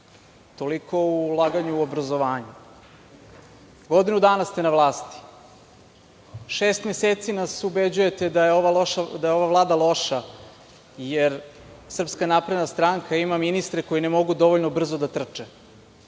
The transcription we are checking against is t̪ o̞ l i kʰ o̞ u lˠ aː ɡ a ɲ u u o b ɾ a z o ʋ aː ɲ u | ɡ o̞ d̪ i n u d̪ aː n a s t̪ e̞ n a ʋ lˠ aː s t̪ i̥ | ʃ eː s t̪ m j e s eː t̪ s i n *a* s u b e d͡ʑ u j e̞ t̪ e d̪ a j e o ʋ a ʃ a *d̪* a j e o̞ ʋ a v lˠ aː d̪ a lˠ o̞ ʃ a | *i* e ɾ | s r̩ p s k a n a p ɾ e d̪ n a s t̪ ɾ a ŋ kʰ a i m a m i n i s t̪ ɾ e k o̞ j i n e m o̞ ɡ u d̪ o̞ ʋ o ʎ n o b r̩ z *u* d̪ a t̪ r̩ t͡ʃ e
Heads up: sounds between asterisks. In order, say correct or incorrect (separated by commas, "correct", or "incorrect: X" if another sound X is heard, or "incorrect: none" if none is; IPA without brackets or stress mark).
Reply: correct, correct, incorrect: j, incorrect: o